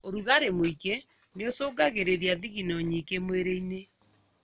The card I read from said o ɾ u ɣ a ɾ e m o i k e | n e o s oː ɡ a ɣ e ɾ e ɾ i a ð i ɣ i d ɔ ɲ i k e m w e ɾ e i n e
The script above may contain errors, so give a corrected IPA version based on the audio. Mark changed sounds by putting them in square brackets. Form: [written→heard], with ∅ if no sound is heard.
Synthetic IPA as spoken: o ɾ u ɣ a ɾ e m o i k e | n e o s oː ɡ a ɣ e ɾ e ɾ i a ð i ɣ i [d→n] ɔ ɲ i k e m w e ɾ e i n e